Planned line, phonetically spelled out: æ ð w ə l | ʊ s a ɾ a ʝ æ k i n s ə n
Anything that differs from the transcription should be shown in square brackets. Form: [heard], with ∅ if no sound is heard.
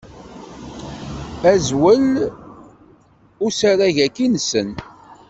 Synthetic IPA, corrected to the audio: æ [z] w ə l | ʊ s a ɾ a ʝ æ k i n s ə n